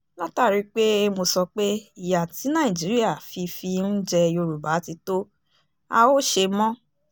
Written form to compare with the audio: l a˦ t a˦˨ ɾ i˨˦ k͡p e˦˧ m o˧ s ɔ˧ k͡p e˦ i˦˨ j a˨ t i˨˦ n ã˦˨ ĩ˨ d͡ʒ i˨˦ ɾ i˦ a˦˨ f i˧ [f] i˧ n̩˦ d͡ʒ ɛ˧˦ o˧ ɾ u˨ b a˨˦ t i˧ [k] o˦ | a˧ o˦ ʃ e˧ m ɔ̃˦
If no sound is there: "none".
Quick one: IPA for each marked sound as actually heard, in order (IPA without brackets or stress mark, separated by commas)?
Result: f, t